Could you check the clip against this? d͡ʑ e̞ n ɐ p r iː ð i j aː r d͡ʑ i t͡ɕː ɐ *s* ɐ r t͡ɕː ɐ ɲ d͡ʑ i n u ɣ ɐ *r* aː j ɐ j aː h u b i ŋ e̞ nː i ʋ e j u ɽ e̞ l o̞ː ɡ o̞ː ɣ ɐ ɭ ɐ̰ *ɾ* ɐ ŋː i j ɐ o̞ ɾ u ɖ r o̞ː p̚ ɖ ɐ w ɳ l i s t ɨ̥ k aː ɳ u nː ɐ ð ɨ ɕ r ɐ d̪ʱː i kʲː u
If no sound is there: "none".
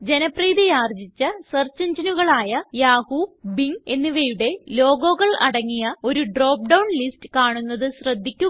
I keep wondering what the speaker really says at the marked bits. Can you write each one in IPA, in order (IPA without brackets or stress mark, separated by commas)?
s, ɭ, ɽ